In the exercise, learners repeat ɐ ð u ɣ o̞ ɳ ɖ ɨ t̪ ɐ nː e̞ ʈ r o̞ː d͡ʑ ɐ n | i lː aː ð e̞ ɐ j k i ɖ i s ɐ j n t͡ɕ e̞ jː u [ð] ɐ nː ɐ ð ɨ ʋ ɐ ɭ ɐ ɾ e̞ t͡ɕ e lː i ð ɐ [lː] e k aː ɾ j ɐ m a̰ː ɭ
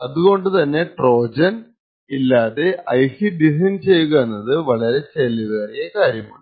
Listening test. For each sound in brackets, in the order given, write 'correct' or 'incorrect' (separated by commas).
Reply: incorrect, incorrect